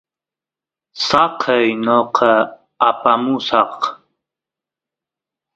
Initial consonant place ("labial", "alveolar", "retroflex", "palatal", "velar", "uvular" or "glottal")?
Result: alveolar